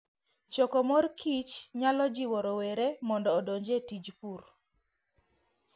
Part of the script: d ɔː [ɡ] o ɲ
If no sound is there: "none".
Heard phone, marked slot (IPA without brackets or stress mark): d